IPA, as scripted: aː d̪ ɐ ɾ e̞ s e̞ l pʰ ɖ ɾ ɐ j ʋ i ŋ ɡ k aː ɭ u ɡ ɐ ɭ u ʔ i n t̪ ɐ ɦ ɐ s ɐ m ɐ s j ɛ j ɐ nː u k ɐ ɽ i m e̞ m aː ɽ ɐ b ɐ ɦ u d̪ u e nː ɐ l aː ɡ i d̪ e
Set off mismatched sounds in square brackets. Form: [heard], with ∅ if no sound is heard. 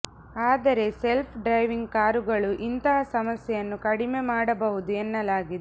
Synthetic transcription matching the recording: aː d̪ ɐ ɾ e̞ s e̞ l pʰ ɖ ɾ ɐ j ʋ i ŋ ɡ k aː [ɾ] u ɡ ɐ ɭ u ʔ i n t̪ ɐ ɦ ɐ s ɐ m ɐ s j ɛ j ɐ nː u k ɐ ɽ i m e̞ m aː ɽ ɐ b ɐ ɦ u d̪ u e nː ɐ l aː ɡ i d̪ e